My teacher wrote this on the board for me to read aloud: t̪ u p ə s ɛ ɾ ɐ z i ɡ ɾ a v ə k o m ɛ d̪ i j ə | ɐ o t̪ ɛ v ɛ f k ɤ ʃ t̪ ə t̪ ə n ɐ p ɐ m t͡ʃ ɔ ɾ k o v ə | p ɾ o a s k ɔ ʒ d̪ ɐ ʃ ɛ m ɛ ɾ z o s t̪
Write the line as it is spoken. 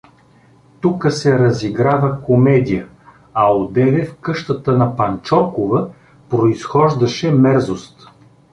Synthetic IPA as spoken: t̪ u k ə s ɛ ɾ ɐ z i ɡ ɾ a v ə k o m ɛ d̪ i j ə | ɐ o d̪ ɛ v ɛ f k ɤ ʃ t̪ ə t̪ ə n ɐ p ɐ n t͡ʃ ɔ ɾ k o v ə | p ɾ o i s x ɔ ʒ d̪ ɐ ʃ ɛ m ɛ ɾ z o s t̪